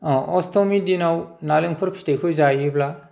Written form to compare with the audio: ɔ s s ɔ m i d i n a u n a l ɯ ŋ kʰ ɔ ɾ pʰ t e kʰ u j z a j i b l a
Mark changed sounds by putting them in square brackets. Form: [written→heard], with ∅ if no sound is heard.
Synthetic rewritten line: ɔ s [s→t] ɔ m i d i n a [u→w] n a l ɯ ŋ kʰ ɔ ɾ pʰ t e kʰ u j z a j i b l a